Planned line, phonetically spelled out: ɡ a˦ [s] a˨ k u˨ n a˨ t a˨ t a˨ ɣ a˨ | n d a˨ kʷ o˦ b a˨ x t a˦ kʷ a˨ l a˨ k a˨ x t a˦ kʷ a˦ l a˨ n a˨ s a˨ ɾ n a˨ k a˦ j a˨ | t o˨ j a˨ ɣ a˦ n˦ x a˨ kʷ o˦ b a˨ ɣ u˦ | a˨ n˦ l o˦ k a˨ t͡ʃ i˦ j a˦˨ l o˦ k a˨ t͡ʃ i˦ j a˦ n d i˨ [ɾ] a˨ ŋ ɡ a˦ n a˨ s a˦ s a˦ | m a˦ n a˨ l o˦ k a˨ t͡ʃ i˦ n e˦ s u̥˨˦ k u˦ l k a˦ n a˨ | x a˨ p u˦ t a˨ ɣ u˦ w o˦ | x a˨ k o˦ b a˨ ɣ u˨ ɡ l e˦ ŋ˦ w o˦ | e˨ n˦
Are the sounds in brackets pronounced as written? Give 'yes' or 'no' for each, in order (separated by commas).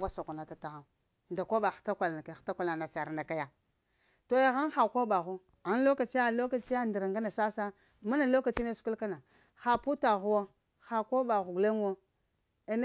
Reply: yes, yes